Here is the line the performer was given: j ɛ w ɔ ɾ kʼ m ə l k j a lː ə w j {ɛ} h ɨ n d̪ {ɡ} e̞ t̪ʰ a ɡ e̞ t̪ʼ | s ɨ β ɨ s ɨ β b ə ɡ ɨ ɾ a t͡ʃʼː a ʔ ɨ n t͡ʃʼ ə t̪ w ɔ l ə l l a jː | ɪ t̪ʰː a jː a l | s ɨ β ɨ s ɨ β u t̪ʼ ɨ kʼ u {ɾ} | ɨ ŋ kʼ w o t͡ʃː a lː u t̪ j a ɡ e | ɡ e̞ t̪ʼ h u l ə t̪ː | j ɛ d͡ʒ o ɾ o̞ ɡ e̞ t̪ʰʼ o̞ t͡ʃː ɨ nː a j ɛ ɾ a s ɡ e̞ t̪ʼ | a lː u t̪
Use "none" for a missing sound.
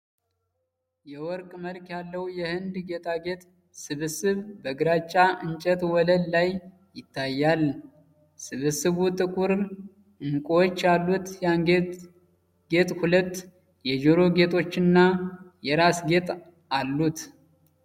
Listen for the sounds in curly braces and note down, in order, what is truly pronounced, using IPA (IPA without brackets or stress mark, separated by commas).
ɛ, ɡ, ɾ